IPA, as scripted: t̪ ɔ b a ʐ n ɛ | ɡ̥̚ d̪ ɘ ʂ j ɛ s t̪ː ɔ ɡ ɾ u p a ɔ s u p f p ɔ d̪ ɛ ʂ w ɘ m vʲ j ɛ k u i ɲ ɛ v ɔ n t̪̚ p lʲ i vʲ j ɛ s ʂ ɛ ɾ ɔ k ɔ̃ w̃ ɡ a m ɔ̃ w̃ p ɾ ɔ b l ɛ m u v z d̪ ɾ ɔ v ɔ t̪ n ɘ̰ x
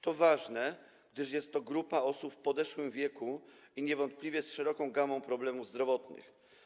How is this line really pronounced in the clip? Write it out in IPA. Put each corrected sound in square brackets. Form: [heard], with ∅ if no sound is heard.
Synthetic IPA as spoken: t̪ ɔ [v] a ʐ n ɛ | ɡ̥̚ d̪ ɘ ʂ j ɛ s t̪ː ɔ ɡ ɾ u p a ɔ s u p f p ɔ d̪ ɛ ʂ w ɘ m vʲ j ɛ k u i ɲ ɛ v ɔ n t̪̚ p lʲ i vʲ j ɛ s ʂ ɛ ɾ ɔ k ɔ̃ w̃ ɡ a m ɔ̃ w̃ p ɾ ɔ b l ɛ m u v z d̪ ɾ ɔ v ɔ t̪ n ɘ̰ x